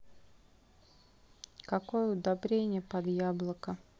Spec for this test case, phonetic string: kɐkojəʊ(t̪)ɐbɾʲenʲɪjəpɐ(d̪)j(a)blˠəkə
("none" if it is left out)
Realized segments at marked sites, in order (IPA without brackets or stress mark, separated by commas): d̪, d̪, a